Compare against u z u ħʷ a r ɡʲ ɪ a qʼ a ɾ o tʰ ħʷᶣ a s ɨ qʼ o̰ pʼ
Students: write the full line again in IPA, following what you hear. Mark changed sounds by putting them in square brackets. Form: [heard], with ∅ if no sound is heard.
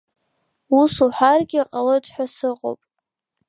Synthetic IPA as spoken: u [s] u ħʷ a r ɡʲ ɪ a qʼ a [l] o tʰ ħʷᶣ a s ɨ qʼ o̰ pʼ